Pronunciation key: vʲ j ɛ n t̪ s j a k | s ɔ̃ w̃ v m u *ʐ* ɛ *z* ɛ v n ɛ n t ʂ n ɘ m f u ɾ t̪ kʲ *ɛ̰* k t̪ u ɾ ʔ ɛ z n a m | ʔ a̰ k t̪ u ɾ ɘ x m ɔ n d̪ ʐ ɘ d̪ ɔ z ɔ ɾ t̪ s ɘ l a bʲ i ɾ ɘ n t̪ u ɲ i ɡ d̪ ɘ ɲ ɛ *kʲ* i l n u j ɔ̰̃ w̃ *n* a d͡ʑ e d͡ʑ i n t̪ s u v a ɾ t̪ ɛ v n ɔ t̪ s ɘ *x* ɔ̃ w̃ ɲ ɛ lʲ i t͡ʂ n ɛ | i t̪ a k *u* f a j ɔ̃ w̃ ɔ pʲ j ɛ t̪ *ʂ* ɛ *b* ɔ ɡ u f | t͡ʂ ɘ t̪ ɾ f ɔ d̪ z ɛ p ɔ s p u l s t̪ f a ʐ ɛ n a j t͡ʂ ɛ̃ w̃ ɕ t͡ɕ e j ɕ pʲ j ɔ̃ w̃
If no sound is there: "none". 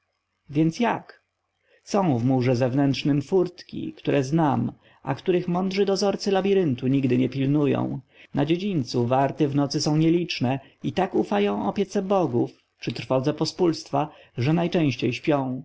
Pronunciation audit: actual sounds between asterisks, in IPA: ʐ, z, ḭ, pʲ, n, s, u, s, b

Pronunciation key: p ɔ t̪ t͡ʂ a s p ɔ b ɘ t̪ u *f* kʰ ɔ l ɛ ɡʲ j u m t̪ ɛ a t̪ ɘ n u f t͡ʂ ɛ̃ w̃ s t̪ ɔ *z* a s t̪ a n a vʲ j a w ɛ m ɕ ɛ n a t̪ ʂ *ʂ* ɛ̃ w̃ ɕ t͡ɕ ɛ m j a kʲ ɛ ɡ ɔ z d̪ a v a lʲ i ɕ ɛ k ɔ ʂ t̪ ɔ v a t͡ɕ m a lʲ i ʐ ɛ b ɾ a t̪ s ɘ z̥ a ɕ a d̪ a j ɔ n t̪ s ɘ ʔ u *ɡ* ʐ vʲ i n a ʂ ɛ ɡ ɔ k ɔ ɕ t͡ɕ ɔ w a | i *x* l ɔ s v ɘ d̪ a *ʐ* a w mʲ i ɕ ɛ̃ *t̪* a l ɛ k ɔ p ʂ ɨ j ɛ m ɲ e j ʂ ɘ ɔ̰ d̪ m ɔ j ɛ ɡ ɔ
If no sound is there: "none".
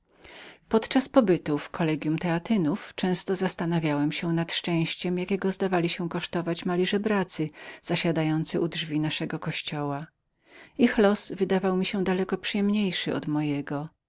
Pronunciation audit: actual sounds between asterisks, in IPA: f, z, t͡ʂ, d, x, v, d̪

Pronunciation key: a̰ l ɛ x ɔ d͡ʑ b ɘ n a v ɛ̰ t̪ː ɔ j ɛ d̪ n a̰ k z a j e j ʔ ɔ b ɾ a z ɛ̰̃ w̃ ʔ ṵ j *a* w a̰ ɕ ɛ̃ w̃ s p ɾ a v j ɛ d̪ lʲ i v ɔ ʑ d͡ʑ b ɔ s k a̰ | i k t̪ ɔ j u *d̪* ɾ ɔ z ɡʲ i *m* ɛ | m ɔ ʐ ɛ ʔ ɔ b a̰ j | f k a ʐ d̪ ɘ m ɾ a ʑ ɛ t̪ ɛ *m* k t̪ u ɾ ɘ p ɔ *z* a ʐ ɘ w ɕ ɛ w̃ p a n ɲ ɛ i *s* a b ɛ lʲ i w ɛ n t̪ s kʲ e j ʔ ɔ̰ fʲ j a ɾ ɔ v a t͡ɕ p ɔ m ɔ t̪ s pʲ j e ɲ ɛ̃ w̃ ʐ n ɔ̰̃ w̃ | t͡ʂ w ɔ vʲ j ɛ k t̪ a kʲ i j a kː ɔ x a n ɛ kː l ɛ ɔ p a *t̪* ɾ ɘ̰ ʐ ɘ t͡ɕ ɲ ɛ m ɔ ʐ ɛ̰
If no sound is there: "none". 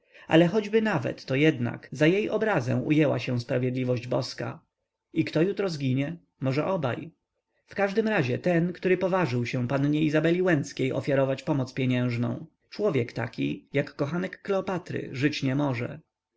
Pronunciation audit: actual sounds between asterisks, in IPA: ɛ, t̪, ɲ, n, v, z, t̪

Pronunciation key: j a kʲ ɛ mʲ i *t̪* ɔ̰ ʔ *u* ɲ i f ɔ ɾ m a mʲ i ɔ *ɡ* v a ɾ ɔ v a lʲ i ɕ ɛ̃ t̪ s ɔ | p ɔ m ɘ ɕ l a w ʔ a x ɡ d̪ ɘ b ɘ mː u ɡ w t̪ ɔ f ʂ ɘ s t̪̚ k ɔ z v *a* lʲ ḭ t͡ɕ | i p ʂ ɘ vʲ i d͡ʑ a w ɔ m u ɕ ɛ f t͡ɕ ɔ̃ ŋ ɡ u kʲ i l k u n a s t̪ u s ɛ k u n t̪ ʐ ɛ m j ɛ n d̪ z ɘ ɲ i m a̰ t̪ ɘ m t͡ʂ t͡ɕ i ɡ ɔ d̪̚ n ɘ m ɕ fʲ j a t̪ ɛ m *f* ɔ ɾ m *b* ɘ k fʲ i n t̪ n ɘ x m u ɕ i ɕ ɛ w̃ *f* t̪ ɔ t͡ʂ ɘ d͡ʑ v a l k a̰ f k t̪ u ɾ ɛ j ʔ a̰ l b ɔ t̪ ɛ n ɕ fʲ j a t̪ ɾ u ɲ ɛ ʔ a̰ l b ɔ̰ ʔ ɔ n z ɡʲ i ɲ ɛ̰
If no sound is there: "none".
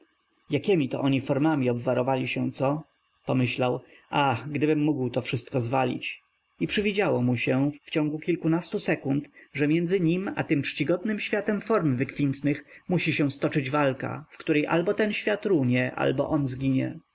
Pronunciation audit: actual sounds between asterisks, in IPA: t̪, ɔ, b, a, f, v, s

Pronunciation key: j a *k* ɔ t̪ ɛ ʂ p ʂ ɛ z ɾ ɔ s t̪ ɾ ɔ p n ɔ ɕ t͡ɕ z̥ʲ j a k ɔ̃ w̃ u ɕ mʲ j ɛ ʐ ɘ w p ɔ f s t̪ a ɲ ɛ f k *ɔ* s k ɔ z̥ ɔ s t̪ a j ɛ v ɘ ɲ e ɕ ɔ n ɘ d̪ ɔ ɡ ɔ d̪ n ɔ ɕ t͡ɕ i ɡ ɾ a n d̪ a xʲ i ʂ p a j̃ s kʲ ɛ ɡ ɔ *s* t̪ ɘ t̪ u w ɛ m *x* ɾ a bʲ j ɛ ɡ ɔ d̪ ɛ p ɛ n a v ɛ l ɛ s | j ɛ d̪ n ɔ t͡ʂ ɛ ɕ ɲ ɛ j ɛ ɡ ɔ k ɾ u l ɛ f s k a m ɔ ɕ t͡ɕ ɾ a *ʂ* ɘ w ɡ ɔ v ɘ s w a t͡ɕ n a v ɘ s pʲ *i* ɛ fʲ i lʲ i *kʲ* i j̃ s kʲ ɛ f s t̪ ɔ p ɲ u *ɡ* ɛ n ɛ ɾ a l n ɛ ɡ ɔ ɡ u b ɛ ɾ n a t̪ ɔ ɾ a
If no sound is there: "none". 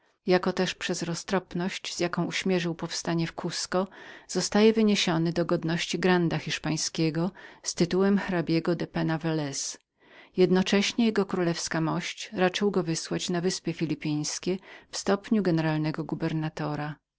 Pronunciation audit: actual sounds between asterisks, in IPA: k, u, s, x, t͡ʂ, j, pʲ, ɡ

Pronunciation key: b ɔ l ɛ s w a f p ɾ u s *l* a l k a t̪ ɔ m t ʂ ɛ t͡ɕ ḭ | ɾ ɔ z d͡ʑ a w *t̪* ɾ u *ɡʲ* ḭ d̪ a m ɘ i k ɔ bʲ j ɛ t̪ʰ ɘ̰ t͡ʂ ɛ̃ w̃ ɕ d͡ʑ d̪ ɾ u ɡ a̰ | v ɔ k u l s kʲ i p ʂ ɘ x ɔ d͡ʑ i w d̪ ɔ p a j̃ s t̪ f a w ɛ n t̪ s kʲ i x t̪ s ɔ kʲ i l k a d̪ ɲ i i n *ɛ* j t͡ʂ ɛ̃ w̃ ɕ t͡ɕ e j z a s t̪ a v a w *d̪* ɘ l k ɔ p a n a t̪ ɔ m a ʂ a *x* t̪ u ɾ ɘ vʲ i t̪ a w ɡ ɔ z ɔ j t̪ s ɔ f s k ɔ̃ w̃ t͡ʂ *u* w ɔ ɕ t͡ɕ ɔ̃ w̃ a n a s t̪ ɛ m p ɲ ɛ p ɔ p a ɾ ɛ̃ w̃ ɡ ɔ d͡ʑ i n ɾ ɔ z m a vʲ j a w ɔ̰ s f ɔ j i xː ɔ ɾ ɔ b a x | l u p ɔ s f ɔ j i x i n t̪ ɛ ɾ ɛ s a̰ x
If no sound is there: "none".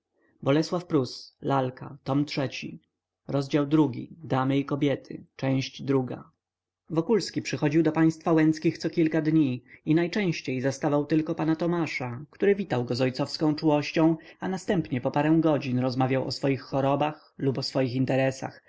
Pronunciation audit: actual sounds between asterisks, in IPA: l, d̪, ɡʲ, a, t̪, k, u

